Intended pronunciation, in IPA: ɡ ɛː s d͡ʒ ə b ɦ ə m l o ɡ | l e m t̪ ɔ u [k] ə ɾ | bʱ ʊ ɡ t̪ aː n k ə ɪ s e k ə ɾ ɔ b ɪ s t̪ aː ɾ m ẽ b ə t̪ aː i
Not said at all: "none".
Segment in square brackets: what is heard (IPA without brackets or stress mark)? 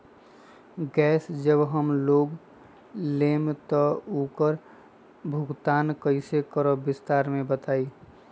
k